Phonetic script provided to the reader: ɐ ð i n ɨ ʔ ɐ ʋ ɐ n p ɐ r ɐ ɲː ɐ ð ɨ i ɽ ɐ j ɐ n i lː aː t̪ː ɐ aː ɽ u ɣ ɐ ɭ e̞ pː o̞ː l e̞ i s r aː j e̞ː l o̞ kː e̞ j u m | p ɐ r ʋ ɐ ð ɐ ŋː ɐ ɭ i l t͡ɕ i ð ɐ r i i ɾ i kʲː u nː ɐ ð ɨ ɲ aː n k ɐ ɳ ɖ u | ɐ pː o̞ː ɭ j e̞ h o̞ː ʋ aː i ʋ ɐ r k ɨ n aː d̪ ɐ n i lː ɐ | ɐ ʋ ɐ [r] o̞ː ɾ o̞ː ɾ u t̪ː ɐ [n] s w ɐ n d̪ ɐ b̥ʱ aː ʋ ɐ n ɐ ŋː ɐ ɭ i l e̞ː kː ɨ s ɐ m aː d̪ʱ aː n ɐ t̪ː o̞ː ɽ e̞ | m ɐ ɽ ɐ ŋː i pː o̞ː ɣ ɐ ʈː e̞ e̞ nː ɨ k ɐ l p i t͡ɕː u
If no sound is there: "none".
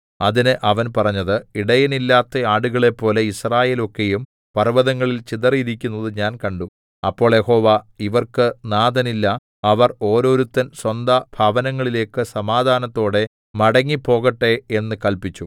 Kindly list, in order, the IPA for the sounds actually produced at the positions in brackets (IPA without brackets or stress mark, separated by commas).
r, n